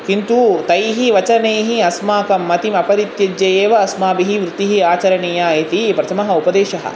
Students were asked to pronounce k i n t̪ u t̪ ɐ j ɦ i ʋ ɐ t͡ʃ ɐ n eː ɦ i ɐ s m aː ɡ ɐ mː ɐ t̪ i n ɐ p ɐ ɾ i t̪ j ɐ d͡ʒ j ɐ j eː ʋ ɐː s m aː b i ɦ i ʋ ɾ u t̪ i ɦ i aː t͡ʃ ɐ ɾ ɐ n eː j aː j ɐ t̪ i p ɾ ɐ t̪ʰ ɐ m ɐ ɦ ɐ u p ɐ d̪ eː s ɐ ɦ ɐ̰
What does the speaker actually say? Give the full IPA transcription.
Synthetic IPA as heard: k i n t̪ u t̪ ɐ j ɦ i ʋ ɐ t͡ʃ ɐ n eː ɦ i ɐ s m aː k ɐ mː ɐ t̪ i m ɐ p ɐ ɾ i t̪ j ɐ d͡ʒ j ɐ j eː ʋ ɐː s m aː b i ɦ i ʋ ɾ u t̪ i ɦ i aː t͡ʃ ɐ ɾ ɐ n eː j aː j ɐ t̪ i p ɾ ɐ t̪ʰ ɐ m ɐ ɦ ɐ u p ɐ d̪ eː ʃ ɐ ɦ ɐ̰